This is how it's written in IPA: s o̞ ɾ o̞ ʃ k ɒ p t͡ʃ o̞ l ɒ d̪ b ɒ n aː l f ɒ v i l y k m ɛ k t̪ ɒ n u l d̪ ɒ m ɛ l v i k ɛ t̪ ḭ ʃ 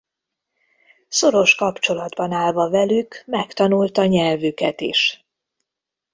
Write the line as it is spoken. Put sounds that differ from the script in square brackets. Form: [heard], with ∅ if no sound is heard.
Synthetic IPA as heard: s o̞ ɾ o̞ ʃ k ɒ p t͡ʃ o̞ l ɒ d̪ b ɒ n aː l [v] ɒ v [ɛ] l y k m ɛ k t̪ ɒ n u l [t̪] ɒ [ɲ] ɛ l v [y] k ɛ t̪ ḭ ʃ